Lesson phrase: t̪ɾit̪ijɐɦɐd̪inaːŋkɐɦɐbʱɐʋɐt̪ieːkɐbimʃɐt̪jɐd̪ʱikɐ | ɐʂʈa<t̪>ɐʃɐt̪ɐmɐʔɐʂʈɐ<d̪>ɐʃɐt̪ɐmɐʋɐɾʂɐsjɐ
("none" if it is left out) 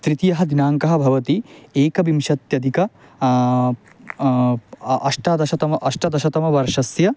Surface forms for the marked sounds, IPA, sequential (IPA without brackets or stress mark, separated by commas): d̪, d̪